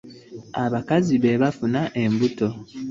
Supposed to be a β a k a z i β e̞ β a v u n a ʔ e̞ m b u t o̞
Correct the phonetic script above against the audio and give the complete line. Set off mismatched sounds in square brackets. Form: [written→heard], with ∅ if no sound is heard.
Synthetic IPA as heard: a β a k a z i β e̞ β a [v→f] u n a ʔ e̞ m b u t o̞